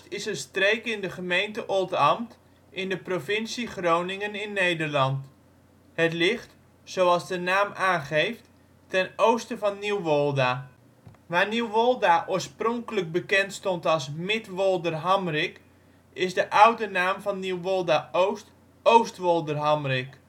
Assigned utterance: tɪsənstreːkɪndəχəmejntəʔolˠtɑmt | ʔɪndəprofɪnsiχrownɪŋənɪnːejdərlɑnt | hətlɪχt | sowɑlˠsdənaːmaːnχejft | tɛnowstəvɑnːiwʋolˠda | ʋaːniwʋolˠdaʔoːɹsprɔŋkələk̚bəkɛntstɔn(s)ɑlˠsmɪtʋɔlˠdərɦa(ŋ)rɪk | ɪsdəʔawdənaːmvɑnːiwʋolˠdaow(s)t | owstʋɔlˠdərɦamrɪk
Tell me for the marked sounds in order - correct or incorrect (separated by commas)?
incorrect, incorrect, correct